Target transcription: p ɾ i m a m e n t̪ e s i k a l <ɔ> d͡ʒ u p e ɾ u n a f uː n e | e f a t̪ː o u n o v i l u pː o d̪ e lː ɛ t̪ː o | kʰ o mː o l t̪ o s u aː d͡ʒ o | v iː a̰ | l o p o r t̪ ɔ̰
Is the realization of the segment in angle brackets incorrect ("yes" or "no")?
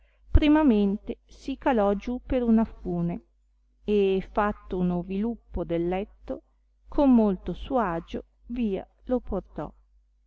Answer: no